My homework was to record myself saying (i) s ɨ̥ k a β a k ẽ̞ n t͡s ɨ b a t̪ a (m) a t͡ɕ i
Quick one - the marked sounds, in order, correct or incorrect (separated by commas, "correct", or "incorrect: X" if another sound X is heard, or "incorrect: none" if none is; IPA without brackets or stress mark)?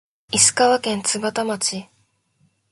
correct, correct